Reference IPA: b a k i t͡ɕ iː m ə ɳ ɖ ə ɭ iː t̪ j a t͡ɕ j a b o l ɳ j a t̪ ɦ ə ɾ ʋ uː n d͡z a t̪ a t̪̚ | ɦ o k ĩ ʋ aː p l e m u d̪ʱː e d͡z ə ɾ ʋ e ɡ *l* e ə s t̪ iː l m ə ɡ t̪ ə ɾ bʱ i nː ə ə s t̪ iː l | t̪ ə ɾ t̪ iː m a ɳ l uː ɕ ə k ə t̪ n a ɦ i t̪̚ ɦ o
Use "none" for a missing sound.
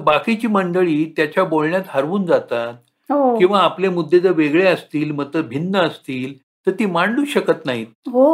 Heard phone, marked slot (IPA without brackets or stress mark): ɭ